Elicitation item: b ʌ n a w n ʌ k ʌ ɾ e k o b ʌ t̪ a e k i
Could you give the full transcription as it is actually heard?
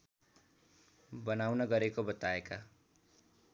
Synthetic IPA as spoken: b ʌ n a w n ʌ ɡ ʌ ɾ e k o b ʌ t̪ a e k a